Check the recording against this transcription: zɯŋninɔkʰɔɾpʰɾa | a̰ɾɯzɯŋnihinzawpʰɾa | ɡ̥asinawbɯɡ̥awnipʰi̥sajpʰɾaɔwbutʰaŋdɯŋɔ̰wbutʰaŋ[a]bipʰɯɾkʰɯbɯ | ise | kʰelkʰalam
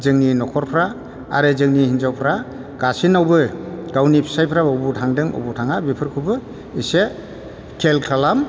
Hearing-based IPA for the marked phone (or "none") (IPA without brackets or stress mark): a